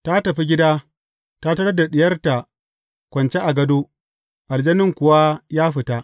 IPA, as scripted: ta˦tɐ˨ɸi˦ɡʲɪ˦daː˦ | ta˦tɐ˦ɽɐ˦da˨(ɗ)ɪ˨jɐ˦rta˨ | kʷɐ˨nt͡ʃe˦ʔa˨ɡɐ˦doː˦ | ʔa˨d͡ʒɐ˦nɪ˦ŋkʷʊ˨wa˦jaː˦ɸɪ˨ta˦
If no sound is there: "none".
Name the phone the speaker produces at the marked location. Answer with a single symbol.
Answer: ɗ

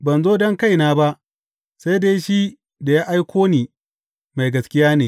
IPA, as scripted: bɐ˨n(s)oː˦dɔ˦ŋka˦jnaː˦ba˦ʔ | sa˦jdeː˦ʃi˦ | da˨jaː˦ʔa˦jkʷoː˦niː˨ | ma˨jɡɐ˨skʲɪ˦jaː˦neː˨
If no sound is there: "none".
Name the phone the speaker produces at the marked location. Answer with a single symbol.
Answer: z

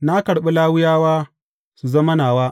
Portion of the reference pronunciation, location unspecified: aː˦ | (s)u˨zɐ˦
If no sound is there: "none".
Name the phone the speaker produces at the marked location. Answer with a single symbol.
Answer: s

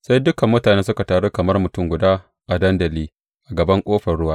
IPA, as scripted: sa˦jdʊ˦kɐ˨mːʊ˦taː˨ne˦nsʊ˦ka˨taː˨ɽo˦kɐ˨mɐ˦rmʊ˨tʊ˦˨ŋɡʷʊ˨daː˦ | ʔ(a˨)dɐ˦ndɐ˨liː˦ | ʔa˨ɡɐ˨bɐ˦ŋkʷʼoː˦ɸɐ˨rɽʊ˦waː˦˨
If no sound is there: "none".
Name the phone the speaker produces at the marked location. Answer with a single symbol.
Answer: a˨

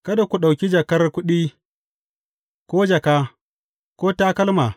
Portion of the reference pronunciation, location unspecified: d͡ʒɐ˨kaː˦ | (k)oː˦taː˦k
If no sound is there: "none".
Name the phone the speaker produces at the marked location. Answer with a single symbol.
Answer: k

